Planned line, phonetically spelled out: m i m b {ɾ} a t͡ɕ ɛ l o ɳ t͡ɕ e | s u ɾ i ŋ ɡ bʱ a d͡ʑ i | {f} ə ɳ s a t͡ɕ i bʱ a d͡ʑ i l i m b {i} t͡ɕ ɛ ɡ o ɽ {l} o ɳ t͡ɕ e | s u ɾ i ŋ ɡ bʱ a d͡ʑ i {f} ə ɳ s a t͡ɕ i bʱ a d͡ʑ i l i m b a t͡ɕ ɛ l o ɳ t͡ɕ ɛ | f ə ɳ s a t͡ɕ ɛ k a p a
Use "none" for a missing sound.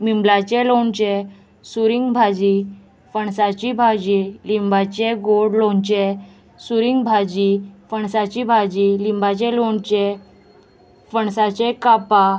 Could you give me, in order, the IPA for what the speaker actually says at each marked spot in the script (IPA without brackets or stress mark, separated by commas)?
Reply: l, f, a, l, f